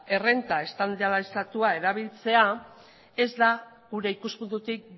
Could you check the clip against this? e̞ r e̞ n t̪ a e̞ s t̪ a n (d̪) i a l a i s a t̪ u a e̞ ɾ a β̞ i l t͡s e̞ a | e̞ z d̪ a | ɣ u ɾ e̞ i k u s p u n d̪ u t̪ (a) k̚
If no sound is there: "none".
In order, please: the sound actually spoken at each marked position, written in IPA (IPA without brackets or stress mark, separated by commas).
d̪, i